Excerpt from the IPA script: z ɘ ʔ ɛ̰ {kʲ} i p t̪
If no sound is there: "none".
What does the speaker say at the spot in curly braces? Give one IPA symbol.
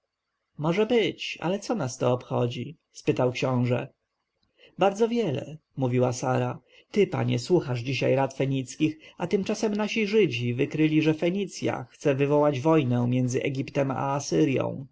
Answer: ɡʲ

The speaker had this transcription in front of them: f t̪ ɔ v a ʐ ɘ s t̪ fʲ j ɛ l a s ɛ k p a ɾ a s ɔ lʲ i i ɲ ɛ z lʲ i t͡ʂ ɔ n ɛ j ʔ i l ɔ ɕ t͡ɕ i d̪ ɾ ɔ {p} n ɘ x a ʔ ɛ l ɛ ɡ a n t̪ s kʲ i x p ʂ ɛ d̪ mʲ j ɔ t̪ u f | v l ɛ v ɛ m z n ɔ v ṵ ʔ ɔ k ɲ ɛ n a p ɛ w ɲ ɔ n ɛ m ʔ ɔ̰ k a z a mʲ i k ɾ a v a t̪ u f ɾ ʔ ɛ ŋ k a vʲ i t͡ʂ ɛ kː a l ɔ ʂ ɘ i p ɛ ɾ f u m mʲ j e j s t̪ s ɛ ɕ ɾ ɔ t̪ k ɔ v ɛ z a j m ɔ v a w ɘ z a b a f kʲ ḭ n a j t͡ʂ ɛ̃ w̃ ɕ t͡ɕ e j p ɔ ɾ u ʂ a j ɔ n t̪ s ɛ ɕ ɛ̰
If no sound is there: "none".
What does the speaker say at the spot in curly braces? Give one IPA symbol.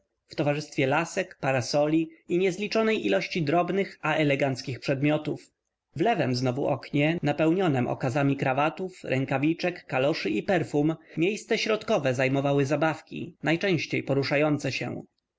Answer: b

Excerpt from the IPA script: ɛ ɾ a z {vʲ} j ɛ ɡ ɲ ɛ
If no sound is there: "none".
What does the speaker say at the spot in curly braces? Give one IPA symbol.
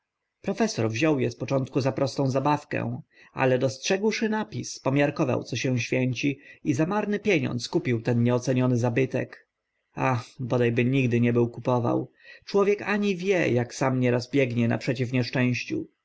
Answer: bʲ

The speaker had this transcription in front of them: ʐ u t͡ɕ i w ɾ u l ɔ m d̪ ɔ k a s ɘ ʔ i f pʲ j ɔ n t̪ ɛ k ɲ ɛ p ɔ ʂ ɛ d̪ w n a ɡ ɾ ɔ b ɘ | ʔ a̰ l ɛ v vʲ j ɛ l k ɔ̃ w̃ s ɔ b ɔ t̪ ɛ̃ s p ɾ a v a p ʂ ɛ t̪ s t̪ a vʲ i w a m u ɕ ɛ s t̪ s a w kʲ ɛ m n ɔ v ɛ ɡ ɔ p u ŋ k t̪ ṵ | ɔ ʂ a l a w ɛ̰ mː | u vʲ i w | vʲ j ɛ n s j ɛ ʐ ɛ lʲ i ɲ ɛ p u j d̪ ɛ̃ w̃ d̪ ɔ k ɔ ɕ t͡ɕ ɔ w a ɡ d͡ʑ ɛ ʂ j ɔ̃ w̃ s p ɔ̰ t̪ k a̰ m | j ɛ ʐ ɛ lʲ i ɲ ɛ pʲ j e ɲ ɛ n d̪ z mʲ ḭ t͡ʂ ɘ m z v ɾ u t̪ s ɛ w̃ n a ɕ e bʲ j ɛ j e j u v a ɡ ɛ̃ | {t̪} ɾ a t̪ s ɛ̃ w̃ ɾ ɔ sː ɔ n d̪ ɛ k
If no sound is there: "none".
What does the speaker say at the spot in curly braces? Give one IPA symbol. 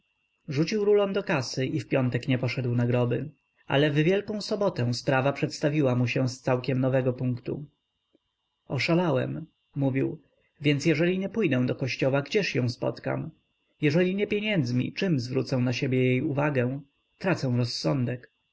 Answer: t̪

